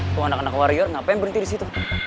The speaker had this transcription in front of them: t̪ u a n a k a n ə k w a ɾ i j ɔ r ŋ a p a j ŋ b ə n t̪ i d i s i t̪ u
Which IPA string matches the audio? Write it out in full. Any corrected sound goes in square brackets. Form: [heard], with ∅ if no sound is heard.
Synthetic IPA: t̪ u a n a k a n [a] k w a ɾ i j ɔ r ŋ a p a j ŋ b ə n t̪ i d i s i t̪ u